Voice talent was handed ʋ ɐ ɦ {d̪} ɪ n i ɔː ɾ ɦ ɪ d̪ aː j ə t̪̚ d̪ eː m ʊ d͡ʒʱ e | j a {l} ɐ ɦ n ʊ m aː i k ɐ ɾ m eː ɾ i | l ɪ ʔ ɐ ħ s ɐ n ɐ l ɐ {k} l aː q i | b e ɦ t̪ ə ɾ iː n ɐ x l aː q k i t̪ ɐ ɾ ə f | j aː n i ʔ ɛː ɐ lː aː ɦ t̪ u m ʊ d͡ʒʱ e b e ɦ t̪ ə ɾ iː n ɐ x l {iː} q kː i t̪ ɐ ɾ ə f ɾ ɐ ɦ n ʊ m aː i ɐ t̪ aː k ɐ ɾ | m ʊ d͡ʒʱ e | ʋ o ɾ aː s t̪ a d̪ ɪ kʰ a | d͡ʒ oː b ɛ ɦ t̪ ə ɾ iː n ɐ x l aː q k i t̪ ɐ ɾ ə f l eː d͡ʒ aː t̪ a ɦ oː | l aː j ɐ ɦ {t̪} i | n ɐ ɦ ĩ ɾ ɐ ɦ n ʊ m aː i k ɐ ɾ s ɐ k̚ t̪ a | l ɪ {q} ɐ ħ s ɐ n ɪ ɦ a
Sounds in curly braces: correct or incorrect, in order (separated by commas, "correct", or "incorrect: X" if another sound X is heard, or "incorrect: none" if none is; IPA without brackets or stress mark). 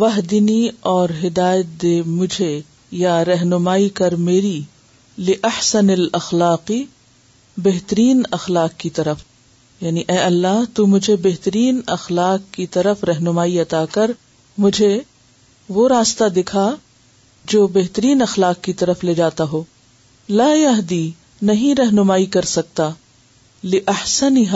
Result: correct, incorrect: ɾ, incorrect: x, incorrect: aː, incorrect: d̪, incorrect: ʔ